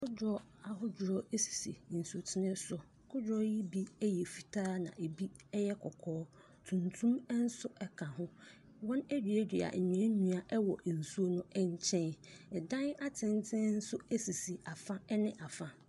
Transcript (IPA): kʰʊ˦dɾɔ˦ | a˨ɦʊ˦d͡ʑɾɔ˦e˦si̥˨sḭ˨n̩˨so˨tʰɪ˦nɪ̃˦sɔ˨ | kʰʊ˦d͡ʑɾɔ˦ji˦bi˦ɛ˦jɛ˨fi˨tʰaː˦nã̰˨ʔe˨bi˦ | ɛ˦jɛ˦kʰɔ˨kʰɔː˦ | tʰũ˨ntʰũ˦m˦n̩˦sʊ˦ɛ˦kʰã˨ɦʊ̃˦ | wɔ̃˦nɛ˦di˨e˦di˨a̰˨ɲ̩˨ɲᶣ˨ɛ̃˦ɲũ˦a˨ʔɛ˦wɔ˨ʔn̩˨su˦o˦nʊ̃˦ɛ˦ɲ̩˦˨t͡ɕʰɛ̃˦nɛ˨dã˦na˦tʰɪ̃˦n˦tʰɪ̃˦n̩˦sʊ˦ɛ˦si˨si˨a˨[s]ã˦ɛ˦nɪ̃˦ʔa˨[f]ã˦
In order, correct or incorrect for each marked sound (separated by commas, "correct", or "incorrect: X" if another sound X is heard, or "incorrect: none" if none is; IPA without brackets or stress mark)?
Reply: incorrect: f, correct